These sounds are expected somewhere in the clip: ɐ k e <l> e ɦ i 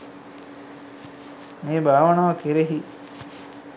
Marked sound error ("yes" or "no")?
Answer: yes